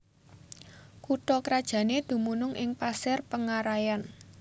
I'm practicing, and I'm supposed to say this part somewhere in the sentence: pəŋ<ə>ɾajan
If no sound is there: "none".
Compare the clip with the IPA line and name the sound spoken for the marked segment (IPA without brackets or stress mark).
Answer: a